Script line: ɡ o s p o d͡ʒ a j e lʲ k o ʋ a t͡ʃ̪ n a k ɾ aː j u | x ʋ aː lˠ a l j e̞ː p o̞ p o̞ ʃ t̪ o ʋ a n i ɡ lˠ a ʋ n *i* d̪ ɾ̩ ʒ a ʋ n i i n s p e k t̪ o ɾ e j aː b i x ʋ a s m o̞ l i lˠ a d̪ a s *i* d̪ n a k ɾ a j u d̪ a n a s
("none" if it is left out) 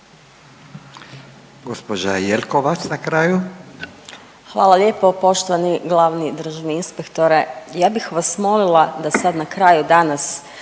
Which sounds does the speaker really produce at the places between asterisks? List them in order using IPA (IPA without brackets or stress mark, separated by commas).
i, a